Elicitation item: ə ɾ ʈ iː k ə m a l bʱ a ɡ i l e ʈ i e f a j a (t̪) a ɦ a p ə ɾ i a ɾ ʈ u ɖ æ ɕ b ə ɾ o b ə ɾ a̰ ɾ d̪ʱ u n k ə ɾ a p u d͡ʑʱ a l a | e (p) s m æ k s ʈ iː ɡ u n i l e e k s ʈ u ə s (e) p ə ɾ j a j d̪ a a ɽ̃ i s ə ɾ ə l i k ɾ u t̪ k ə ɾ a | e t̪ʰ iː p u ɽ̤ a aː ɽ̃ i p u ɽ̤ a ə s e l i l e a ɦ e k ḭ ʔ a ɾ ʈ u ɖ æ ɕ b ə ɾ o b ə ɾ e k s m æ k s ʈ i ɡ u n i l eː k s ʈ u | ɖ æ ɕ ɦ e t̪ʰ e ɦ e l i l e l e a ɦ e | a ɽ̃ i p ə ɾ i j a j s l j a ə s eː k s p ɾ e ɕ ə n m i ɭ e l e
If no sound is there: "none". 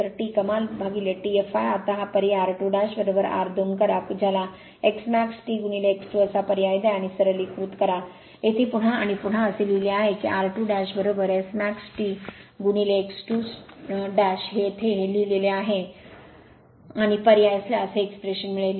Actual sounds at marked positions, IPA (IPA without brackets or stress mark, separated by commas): t̪, k, a